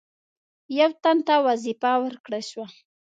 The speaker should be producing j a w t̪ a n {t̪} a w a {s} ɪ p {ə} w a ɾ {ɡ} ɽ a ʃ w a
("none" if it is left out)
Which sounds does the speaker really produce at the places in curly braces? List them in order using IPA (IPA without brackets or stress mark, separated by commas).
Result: t̪, z, a, k